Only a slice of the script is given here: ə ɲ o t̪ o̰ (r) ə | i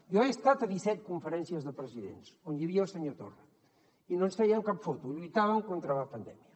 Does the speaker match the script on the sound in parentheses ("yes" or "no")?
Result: yes